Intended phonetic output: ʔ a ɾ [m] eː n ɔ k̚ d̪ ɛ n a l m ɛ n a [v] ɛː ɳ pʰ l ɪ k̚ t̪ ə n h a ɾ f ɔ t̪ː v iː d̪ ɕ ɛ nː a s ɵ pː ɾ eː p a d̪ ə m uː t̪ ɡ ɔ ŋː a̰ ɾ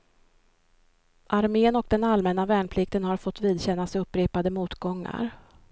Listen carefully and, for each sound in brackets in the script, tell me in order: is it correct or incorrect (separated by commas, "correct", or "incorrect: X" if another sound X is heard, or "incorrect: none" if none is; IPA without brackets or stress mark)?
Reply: correct, correct